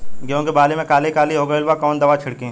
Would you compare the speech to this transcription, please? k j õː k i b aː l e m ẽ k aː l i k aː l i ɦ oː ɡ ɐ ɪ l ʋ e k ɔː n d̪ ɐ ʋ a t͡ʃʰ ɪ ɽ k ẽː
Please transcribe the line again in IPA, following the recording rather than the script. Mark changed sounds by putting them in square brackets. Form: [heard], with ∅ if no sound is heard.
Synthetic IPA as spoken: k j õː k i b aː l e m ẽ k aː l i k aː l i ɦ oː ɡ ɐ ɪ l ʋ [a] k ɔː n d̪ ɐ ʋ a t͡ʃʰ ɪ ɽ k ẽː